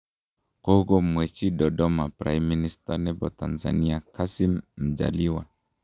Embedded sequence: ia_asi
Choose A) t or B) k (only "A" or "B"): B